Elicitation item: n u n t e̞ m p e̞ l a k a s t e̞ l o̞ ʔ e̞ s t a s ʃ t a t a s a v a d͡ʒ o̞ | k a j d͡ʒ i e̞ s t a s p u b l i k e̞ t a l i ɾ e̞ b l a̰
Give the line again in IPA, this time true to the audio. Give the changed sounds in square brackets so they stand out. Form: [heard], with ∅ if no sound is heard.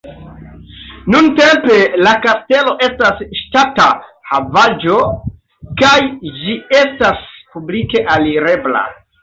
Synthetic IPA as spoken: n u n t e̞ m p e̞ l a k a s t e̞ l o̞ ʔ e̞ s t a s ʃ t a t a [h] a v a d͡ʒ o̞ | k a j d͡ʒ i e̞ s t a s p u b l i k e̞ [ʔ] a l i ɾ e̞ b l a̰